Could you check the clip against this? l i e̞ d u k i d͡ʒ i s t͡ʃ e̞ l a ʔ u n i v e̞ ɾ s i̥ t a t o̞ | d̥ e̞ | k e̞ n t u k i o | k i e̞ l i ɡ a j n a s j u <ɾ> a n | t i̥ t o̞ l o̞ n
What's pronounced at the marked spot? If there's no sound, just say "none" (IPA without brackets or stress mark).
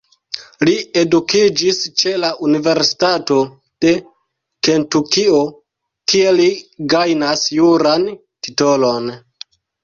ɾ